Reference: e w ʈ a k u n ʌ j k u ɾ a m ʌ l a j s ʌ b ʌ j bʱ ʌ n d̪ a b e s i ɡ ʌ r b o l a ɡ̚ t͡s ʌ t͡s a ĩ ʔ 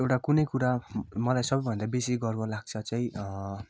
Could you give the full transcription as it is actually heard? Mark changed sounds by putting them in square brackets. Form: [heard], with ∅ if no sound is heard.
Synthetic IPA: e w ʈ a k u n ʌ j k u ɾ a m ʌ l a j s ʌ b ʌ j bʱ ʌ n d̪ a b e s i ɡ ʌ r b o l a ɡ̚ [t͡sʰ] ʌ t͡s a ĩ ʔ